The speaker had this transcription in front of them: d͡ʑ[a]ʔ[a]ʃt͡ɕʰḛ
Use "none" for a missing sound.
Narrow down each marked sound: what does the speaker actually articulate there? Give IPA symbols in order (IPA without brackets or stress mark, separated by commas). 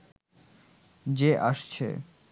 e, a